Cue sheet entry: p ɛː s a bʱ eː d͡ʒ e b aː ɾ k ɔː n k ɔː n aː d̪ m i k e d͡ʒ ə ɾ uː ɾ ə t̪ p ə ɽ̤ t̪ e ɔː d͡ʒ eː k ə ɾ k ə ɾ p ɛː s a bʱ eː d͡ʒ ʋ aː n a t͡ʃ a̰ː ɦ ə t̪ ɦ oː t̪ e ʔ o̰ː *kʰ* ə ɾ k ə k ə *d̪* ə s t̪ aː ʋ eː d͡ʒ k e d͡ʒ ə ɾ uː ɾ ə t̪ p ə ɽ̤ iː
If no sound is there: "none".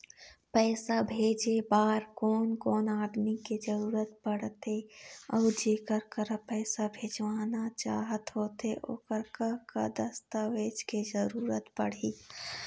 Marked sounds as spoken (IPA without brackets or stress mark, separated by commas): k, d̪